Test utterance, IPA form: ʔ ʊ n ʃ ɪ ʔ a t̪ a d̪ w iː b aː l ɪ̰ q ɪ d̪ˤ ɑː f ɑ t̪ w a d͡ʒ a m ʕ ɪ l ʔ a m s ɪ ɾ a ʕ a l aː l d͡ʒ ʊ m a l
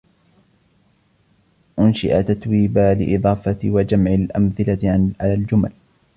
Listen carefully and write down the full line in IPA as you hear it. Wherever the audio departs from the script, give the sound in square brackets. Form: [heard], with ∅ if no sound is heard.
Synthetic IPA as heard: ʔ ʊ n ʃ ɪ ʔ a t̪ a [t̪] w iː b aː l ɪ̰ [ʔ] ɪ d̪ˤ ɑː f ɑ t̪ w a d͡ʒ a m ʕ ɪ l ʔ a m [θ] ɪ [l] a ʕ a l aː l d͡ʒ ʊ m a l

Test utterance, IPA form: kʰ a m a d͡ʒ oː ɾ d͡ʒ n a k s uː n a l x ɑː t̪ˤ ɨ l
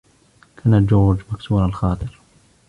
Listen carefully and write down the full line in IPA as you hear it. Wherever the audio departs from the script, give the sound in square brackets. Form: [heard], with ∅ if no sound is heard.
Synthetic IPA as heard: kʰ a [n] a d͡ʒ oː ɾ d͡ʒ [m] a k s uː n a l x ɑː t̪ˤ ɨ [ɾ]

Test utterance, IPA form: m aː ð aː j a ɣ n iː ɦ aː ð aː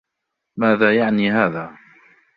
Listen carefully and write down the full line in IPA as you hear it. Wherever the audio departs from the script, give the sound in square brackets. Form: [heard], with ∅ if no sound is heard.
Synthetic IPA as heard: m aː ð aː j a [ʕ] n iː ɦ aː ð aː

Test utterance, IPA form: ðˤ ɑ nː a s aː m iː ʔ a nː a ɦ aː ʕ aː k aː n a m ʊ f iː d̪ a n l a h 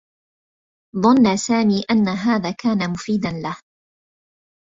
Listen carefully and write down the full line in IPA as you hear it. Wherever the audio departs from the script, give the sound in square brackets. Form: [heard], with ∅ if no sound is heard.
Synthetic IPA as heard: ðˤ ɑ nː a s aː m iː ʔ a nː a ɦ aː [ð] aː k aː n a m ʊ f iː d̪ a n l a h

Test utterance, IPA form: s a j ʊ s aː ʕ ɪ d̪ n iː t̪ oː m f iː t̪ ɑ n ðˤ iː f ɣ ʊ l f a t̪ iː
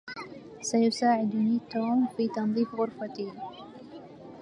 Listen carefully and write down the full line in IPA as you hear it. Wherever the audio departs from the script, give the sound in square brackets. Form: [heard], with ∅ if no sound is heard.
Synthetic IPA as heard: s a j ʊ s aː ʕ ɪ d̪ n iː t̪ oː m f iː t̪ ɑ n ðˤ iː f ɣ ʊ [ɾ] f a t̪ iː

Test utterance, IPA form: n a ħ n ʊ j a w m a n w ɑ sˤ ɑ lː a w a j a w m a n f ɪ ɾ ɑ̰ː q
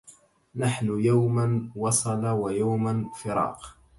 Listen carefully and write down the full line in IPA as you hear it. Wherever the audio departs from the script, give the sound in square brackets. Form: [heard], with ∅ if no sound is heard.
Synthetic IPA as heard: n a ħ n ʊ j a w m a n w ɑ sˤ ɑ [l] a w a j a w m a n f ɪ ɾ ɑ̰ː q

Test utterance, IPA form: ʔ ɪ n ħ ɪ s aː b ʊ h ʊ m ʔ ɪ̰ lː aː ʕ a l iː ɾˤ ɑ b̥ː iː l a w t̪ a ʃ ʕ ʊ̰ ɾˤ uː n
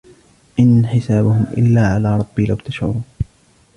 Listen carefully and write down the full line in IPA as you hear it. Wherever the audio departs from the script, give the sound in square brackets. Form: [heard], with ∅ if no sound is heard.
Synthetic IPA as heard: ʔ ɪ n ħ ɪ s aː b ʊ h ʊ m ʔ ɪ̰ lː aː ʕ a l [aː] ɾˤ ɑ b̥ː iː l a w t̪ a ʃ ʕ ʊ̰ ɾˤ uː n

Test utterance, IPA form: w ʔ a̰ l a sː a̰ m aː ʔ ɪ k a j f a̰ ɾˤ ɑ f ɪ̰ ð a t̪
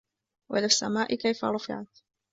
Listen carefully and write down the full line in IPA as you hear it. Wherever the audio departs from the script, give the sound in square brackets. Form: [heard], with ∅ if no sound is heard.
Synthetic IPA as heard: w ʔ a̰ l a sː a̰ m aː ʔ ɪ k a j f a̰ ɾˤ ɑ f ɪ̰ [ʕ] a t̪

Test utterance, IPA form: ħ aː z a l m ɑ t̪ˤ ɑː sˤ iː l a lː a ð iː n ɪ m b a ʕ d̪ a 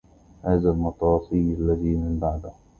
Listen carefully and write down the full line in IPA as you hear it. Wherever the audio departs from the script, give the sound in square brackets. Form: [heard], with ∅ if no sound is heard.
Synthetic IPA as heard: [h] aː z a l m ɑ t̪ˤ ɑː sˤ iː l a lː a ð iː [m] ɪ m b a ʕ d̪ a

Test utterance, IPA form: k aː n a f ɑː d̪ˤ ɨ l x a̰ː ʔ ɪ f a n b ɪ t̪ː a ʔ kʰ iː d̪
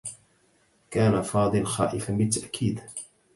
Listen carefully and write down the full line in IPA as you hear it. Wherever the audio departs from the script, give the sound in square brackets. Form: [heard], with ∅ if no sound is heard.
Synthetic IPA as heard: k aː n a f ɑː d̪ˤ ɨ l x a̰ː ʔ ɪ f a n b ɪ t̪ː a ʔ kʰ iː d̪

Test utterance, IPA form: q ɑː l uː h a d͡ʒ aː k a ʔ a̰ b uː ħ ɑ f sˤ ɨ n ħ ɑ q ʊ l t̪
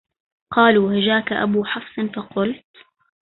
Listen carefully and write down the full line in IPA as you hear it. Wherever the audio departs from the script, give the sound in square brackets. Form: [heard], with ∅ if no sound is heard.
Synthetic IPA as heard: q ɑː l uː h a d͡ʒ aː k a ʔ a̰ b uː ħ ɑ f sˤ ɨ n [f] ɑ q ʊ l t̪

